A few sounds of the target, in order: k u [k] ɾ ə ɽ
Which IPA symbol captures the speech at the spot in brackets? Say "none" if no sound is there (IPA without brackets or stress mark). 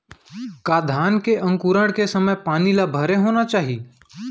none